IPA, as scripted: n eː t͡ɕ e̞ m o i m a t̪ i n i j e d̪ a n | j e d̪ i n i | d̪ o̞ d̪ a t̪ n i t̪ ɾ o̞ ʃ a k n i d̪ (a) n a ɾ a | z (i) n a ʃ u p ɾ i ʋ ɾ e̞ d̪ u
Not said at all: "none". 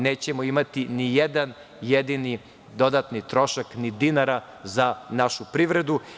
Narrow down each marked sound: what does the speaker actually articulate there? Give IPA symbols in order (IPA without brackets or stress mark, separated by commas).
i, a